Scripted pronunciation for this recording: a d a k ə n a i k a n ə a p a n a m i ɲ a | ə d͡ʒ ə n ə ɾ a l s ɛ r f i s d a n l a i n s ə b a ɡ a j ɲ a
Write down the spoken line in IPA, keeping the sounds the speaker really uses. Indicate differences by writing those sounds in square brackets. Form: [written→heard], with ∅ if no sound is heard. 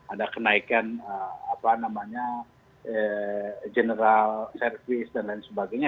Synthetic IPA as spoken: a d a k ə n a i k a n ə a p a n a m [i→a] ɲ a | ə d͡ʒ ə n ə ɾ a l s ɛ r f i s d a n l a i n s ə b a ɡ a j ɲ a